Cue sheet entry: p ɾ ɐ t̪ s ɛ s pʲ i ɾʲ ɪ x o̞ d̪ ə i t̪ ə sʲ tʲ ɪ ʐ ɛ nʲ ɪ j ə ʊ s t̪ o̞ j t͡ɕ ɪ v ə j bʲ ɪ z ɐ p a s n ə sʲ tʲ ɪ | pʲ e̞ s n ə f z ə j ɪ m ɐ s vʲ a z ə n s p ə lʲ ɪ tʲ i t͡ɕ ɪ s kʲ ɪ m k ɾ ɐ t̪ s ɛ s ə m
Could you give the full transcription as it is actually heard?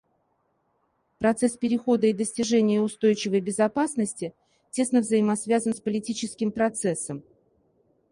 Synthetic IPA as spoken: p ɾ ɐ t̪ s ɛ s pʲ ɪ ɾʲ ɪ x o̞ d̪ ə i d̪ ə sʲ tʲ ɪ ʐ ɛ nʲ ɪ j ə ʊ s t̪ o̞ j t͡ɕ ɪ v ə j bʲ ɪ z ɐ p a s n ə sʲ tʲ ɪ | tʲ e̞ s n ə v z ə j ɪ m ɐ s vʲ a z ə n s p ə lʲ ɪ tʲ i t͡ɕ ɪ s kʲ ɪ m p ɾ ɐ t̪ s ɛ s ə m